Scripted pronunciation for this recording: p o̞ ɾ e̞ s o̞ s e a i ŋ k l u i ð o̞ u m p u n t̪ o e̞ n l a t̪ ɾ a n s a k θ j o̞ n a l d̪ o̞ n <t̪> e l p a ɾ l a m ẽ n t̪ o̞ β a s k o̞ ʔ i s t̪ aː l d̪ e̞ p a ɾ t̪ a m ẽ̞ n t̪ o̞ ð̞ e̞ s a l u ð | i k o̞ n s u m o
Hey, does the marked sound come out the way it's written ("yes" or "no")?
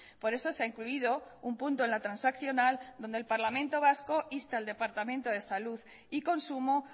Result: no